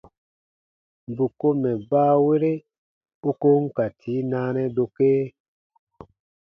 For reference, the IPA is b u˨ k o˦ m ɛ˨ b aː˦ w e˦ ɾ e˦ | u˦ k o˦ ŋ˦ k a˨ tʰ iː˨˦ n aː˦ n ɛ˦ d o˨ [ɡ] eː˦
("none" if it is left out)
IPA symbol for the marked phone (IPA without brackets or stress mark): k